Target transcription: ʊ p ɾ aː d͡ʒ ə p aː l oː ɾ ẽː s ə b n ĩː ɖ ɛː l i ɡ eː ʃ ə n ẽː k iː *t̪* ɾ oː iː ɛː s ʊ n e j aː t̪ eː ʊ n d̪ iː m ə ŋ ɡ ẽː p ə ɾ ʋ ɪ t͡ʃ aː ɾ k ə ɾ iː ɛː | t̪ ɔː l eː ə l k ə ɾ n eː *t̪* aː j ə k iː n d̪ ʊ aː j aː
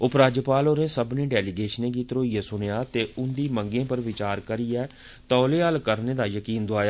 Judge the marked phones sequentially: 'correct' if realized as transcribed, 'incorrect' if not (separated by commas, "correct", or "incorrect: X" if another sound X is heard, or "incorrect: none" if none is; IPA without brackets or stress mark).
correct, incorrect: d̪